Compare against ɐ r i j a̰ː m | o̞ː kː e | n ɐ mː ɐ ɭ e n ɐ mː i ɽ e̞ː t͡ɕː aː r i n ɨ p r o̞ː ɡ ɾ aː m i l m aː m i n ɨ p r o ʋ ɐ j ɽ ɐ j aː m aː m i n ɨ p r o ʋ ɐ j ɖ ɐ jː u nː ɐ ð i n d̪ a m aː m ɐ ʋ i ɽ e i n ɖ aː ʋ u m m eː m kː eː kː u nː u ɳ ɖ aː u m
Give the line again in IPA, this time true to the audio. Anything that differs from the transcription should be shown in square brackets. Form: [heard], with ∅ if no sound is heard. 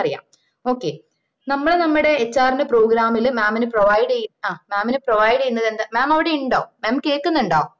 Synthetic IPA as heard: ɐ r i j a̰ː m | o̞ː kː e | n ɐ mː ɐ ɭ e n ɐ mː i ɽ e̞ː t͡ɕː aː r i n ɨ p r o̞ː ɡ ɾ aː m i l m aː m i n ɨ p r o ʋ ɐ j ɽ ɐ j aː m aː m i n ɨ p r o ʋ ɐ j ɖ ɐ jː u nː ɐ ð [e] n d̪ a m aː m ɐ ʋ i ɽ e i [ɳ] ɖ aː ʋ u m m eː m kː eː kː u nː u ɳ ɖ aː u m